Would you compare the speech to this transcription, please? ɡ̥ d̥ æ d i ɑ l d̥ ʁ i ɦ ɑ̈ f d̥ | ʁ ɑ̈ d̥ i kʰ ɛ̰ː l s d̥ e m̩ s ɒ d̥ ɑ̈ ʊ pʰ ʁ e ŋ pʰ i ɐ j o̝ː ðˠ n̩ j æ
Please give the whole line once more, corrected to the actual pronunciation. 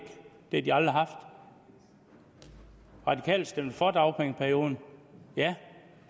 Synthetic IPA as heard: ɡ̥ d̥ e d i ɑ l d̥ ʁ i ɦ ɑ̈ f d̥ | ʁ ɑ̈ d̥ i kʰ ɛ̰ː l s d̥ e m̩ f ɒ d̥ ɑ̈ ʊ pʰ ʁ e ŋ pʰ æ ɐ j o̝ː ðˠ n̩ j æ